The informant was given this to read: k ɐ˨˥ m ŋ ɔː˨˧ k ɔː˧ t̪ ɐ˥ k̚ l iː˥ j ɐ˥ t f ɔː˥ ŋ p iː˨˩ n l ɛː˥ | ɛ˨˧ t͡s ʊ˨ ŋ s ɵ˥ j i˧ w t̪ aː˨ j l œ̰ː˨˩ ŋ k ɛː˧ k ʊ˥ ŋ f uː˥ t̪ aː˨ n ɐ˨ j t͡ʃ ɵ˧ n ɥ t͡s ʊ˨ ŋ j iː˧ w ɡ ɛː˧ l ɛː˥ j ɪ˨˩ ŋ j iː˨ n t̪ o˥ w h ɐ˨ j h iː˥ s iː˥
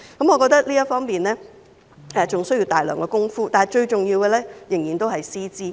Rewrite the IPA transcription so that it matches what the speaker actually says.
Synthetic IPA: k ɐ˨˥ m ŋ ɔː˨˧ k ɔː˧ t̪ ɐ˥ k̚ l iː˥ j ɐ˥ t f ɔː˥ ŋ p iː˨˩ n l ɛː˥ | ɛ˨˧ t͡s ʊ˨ ŋ s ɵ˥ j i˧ w t̪ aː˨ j l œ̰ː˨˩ ŋ k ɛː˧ k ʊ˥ ŋ f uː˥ t̪ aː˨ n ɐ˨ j t͡ʃ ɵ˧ ɥ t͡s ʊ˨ ŋ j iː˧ w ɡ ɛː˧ l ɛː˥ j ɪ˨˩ ŋ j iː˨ n t̪ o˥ w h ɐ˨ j s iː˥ t͡s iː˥